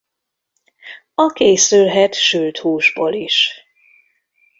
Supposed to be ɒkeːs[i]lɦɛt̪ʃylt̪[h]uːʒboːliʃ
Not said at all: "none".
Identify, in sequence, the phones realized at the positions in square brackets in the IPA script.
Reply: y, h

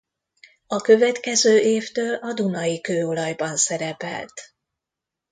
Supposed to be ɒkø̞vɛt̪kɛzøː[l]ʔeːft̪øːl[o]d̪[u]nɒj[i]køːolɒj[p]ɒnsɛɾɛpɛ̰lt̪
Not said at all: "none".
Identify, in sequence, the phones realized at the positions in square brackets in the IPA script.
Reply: none, ɒ, u, i, b

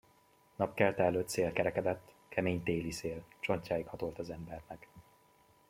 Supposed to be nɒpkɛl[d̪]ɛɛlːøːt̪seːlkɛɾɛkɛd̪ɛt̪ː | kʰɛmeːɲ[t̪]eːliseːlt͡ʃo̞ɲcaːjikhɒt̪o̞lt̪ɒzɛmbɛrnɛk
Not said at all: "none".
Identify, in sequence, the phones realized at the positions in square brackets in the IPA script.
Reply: t̪, t̪

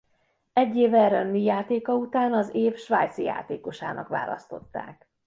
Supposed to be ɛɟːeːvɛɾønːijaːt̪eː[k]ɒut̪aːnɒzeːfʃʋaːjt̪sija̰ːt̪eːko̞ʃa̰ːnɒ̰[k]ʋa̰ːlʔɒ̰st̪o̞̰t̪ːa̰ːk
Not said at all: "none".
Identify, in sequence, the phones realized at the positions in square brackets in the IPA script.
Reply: k, k

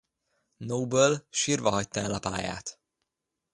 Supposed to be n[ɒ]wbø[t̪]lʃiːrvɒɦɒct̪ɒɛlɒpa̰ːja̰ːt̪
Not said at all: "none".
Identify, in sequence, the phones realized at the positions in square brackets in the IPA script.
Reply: o, none

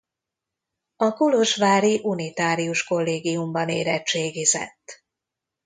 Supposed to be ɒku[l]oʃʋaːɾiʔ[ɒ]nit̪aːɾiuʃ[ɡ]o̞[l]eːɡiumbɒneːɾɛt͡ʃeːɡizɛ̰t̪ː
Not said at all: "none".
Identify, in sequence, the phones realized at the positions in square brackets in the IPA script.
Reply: l, u, k, lː

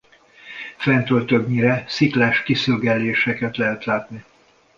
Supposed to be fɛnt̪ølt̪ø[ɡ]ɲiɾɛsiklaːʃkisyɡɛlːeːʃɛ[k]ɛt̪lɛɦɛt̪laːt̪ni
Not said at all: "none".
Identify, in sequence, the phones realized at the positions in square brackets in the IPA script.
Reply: ɡ, k

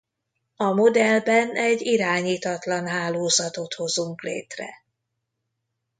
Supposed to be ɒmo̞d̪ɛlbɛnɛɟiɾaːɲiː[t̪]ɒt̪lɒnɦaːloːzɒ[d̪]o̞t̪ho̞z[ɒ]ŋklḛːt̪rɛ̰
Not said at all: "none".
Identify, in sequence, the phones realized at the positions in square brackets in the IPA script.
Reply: t̪, t̪, u

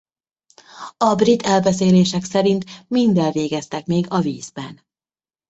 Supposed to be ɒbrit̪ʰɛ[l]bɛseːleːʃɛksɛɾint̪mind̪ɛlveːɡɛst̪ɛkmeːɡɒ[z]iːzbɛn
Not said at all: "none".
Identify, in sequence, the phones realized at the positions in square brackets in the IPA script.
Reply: l, v

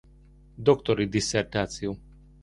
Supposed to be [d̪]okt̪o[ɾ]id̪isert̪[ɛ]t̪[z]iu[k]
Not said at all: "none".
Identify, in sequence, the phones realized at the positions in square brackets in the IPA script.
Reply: d̪, ɾ, a, s, none

